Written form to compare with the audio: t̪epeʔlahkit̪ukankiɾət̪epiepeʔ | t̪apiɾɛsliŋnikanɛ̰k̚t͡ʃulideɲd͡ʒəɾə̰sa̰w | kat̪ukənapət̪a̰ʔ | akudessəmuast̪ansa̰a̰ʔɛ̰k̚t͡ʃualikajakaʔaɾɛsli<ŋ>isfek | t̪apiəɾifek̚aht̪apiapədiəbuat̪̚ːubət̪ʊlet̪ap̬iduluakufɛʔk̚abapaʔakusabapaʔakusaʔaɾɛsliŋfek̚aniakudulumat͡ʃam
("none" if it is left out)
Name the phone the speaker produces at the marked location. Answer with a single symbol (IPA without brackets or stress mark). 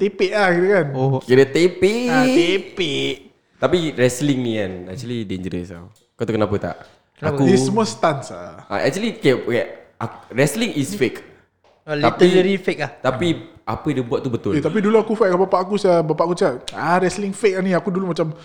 ŋ